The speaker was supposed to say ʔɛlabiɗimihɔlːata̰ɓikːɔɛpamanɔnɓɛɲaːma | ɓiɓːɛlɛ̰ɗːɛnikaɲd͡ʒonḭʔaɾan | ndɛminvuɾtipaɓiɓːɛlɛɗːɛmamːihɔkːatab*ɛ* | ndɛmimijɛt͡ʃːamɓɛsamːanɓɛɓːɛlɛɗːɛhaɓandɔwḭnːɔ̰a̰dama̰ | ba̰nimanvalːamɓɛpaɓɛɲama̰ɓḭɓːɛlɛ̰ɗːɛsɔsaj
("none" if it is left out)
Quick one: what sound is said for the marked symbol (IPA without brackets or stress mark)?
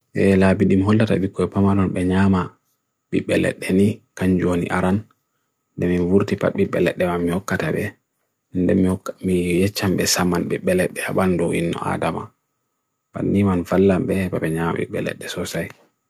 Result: ɛ